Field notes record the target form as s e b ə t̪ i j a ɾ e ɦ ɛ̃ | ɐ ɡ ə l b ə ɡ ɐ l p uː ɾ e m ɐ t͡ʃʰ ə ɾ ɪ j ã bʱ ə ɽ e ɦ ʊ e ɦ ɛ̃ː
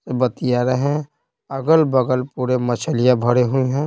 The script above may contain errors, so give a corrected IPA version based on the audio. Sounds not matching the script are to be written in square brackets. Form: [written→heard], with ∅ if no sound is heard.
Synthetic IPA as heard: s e b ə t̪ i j a ɾ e ɦ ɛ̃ | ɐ ɡ ə l b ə ɡ [ɐ→ə] l p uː ɾ e m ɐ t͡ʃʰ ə [ɾ→l] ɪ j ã bʱ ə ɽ e ɦ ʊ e ɦ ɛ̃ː